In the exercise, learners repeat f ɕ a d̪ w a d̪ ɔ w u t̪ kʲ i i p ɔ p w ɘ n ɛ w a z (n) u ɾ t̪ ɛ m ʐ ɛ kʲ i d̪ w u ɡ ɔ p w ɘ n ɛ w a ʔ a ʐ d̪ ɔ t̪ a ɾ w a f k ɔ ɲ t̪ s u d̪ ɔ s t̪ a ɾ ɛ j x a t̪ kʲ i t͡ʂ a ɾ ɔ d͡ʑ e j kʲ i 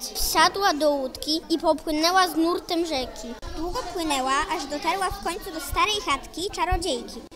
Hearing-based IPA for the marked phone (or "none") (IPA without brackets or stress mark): n